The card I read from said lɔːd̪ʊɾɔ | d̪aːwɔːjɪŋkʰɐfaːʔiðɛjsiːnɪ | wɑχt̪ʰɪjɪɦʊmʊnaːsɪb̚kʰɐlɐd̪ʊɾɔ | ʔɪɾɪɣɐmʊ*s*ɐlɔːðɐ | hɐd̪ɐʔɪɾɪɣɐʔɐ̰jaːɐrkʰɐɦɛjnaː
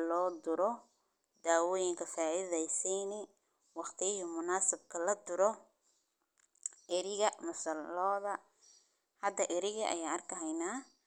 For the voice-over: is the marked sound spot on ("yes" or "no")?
yes